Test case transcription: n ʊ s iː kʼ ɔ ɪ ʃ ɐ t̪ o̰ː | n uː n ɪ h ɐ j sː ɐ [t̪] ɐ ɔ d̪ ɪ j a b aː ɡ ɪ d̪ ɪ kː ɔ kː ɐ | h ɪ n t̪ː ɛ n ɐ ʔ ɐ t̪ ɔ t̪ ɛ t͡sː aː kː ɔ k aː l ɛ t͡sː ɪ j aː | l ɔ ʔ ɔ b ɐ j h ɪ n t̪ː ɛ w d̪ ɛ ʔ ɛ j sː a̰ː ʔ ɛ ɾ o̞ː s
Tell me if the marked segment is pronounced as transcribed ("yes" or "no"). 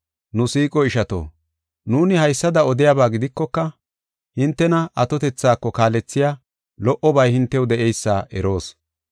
no